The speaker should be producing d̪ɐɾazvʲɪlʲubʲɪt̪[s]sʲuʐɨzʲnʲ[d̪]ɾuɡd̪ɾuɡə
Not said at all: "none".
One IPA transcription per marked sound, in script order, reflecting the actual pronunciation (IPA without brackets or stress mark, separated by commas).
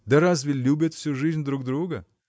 f, d̪